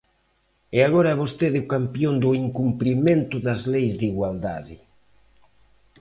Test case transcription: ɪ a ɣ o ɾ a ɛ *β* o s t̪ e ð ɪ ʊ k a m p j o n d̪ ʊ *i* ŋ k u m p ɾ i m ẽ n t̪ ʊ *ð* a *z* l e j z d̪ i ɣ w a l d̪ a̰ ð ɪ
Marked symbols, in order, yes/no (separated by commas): yes, yes, yes, yes